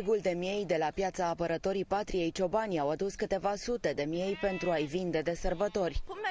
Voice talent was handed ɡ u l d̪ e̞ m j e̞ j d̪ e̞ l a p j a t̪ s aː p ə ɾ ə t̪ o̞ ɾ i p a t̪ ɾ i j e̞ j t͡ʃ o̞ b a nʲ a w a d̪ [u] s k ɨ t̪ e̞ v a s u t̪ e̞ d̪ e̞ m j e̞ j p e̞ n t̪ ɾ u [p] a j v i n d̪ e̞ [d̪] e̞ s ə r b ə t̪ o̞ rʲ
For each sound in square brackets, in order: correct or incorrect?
correct, incorrect: none, correct

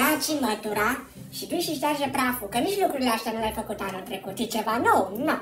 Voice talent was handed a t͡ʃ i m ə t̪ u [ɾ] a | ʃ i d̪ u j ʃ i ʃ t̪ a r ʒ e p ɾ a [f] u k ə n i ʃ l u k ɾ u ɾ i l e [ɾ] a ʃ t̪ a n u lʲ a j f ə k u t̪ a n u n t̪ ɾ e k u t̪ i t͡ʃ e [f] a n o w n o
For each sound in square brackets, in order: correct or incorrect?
correct, correct, incorrect: none, incorrect: v

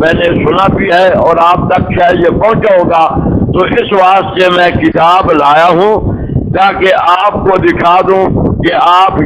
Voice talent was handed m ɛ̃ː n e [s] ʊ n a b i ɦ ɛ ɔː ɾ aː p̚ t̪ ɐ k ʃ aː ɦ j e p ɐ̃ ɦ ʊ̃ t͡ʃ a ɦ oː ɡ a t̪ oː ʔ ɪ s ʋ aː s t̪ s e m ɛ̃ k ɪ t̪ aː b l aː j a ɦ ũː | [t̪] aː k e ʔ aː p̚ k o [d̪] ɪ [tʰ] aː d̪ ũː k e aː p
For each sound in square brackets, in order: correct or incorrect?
correct, correct, correct, incorrect: kʰ

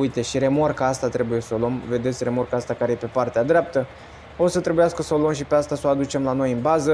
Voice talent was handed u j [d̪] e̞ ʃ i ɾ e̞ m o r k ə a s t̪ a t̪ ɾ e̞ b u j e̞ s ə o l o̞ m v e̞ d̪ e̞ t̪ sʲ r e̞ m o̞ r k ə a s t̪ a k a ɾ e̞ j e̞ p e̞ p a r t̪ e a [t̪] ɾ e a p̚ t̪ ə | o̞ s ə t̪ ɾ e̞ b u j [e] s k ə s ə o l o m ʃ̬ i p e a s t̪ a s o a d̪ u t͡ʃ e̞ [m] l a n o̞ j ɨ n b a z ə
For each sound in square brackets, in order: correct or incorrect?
incorrect: t̪, incorrect: d̪, incorrect: a, correct

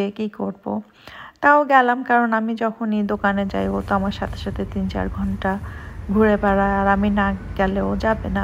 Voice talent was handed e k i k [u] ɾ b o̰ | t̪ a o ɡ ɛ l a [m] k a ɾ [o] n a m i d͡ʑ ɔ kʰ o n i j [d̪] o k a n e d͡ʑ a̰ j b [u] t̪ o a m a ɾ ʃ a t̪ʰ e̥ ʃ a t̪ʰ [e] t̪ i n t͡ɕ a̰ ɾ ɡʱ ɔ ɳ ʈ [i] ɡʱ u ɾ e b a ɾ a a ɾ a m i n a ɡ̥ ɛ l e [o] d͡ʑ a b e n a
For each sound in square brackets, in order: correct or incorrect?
incorrect: o, correct, correct, correct, incorrect: o, correct, incorrect: a, correct

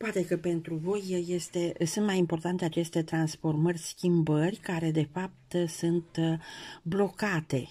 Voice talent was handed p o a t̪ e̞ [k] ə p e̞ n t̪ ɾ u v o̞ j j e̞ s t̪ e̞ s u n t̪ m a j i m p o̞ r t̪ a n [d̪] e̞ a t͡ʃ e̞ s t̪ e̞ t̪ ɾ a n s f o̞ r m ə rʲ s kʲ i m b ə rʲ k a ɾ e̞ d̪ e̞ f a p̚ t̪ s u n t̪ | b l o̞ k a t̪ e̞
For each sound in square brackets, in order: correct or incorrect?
correct, incorrect: t̪

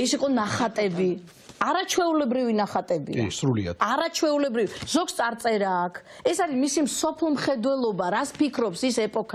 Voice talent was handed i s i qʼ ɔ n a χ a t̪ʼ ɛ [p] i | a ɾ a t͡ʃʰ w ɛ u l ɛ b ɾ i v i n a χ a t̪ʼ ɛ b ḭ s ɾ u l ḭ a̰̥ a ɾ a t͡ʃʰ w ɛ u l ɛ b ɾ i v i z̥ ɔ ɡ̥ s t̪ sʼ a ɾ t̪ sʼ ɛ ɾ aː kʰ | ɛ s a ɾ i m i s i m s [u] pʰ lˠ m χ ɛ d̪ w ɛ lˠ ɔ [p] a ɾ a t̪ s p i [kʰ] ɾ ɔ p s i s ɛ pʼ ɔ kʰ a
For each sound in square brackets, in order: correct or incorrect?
incorrect: b, incorrect: ɔ, incorrect: b, correct

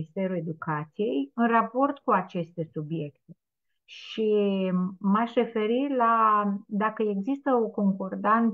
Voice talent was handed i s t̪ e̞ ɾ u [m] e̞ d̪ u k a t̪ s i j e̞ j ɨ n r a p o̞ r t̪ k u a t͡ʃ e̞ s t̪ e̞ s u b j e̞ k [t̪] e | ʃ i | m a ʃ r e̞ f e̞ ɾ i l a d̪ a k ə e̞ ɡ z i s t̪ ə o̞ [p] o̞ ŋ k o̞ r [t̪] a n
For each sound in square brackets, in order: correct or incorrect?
incorrect: none, correct, incorrect: k, incorrect: d̪

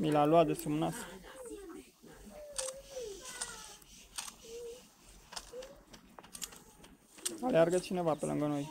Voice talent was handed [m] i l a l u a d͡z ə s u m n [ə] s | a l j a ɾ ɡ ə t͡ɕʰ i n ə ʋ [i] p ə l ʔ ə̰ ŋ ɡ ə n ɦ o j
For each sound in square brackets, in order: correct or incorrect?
correct, incorrect: a, incorrect: a

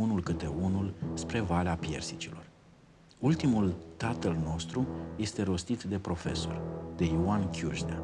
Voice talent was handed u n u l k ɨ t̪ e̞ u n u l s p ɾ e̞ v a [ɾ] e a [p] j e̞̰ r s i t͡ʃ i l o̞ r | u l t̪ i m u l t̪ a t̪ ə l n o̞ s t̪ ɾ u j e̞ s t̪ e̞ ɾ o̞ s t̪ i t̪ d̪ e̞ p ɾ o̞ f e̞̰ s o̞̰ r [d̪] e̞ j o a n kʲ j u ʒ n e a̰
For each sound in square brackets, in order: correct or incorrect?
incorrect: l, correct, correct

